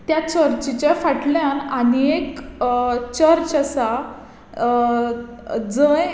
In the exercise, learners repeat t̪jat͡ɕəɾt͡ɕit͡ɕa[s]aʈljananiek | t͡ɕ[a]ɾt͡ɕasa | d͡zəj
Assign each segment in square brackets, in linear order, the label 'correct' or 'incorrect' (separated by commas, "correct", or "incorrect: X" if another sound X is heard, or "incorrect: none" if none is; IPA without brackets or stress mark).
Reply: incorrect: f, incorrect: ə